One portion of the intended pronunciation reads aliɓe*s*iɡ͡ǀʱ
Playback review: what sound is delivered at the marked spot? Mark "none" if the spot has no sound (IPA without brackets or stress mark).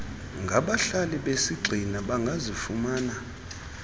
s